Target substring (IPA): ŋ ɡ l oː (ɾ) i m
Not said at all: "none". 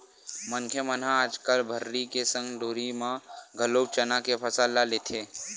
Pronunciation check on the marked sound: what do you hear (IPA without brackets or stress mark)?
ɾ